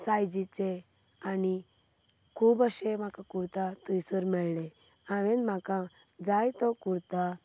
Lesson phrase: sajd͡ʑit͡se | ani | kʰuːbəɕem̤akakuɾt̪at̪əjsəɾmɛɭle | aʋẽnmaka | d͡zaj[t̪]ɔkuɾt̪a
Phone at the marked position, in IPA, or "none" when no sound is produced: t̪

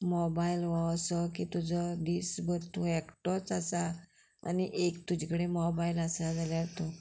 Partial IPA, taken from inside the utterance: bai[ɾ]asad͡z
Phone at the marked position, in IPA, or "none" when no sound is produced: l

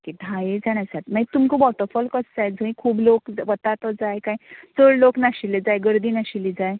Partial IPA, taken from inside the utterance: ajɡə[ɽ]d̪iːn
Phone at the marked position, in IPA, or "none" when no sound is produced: ɾ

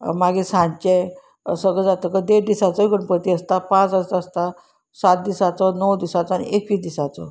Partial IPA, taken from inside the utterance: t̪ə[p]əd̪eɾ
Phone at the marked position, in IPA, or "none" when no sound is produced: k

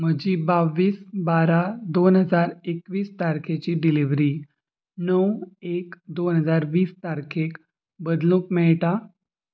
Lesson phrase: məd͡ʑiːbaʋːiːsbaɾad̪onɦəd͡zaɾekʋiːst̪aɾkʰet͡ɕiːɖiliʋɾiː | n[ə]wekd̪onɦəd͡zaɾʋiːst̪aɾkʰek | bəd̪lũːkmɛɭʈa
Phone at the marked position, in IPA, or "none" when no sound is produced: ə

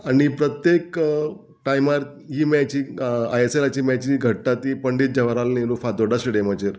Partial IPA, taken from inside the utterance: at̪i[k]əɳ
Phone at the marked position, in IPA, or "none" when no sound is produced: p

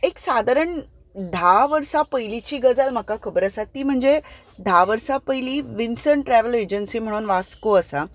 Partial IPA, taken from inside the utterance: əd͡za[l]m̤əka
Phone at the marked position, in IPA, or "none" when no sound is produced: l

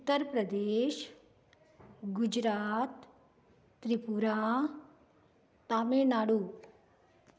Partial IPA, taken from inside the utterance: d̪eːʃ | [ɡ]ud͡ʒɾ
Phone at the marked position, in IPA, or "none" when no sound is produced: ɡ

